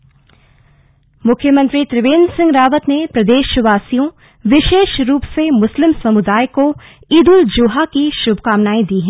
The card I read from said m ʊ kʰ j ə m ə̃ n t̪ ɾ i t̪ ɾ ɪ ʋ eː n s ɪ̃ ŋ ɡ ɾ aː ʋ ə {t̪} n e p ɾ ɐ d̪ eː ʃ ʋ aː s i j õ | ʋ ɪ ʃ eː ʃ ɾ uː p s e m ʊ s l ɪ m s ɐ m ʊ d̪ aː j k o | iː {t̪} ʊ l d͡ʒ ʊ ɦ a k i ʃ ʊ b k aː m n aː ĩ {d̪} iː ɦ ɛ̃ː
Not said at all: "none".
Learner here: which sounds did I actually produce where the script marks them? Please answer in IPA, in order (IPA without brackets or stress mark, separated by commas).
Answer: t̪, d̪, d̪